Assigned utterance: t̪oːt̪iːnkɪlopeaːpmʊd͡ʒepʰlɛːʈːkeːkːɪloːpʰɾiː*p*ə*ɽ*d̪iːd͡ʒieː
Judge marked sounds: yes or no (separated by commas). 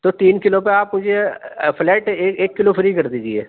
no, no